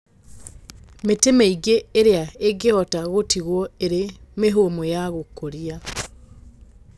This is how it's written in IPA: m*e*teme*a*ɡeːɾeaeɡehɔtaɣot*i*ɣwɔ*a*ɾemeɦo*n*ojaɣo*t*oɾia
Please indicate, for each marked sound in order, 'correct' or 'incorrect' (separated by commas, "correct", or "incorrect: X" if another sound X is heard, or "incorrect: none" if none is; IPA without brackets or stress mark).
correct, incorrect: i, correct, incorrect: e, incorrect: m, incorrect: k